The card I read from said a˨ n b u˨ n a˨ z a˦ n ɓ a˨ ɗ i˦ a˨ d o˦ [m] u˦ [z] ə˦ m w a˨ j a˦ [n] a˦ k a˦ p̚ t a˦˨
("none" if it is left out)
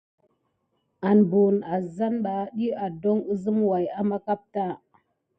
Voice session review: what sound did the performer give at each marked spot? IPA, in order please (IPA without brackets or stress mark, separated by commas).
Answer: ŋ, z, m